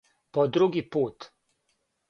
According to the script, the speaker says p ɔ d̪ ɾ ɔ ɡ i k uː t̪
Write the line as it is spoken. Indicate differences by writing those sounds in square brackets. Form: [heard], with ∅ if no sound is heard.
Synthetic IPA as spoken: p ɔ d̪ ɾ [u] ɡ i [p] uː t̪